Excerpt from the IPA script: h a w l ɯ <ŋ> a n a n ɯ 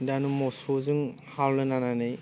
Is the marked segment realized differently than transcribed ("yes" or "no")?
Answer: yes